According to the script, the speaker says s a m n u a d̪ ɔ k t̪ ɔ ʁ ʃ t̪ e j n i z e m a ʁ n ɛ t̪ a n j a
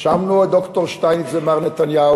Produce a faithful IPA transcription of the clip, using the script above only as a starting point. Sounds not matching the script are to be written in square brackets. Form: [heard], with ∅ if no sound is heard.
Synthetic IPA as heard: [ʃ] a m n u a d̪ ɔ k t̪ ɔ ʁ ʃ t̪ [a] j n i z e m a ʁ n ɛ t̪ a n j a

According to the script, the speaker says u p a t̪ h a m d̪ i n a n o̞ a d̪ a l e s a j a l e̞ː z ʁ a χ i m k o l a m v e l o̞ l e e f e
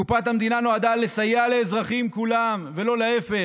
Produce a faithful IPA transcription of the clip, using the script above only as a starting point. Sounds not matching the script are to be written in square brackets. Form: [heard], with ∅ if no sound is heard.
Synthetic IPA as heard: u p a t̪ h a m d̪ i n a n o̞ a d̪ a l e s a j a l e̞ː z ʁ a χ i m k [u] l a m v e l o̞ l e e f e

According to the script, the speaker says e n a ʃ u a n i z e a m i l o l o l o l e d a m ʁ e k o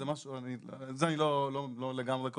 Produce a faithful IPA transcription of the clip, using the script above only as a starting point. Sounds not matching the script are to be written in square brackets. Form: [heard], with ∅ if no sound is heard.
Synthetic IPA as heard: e [m] a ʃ u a n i z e a [n] i l o l o l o l e [ɡ] a m ʁ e k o

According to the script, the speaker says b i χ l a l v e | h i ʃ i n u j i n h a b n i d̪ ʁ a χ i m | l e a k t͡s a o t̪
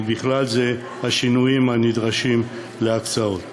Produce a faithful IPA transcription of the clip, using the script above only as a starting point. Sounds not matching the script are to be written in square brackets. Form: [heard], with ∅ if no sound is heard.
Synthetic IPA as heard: b i χ l a l [z] e | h [a] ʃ i n u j i [m] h a [∅] n i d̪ ʁ a [ʃ] i m | l e a k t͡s a o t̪

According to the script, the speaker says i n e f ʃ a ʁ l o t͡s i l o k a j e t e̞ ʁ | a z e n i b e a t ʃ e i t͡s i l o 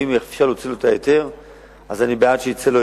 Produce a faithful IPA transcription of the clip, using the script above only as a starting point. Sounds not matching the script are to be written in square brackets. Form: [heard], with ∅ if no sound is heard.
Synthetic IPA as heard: i [m] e f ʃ a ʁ l o t͡s i l o [t] a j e t e̞ ʁ | a z [a] n i b e a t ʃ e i t͡s [e] l o

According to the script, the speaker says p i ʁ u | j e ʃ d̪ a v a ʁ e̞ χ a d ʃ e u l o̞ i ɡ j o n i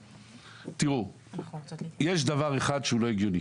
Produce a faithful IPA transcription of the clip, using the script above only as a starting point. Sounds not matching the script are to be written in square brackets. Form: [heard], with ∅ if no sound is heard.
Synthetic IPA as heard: [t] i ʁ u | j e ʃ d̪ a v a ʁ e̞ χ a d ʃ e u l o̞ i ɡ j o n i

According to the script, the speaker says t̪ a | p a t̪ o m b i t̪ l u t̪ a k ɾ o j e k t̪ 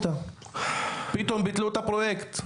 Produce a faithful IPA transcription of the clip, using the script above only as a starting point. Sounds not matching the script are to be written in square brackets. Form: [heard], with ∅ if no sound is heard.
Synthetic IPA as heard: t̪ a | p [i] t̪ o m b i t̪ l u t̪ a [p] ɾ o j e k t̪

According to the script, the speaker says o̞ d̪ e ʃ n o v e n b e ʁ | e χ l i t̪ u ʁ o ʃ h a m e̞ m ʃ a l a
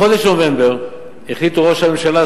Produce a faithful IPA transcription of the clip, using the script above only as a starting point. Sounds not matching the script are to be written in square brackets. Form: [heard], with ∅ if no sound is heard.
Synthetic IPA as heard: o̞ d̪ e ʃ n o v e [m] b e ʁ | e χ l i t̪ u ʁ o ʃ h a m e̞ m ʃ a l a

